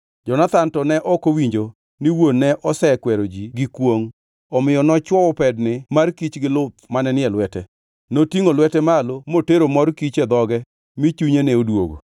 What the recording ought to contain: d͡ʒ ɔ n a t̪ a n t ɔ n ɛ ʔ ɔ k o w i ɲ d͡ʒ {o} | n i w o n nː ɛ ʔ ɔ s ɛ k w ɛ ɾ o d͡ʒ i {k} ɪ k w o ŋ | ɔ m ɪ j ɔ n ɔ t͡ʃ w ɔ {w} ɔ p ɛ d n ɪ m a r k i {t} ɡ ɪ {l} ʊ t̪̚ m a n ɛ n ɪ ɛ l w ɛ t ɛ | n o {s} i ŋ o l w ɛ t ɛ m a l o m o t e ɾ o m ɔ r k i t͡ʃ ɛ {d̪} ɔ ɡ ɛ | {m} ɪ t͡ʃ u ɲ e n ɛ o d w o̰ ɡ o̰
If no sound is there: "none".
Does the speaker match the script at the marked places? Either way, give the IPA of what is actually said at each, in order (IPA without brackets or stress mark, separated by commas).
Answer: o, ɡ, w, t͡ʃ, l, t, d̪, m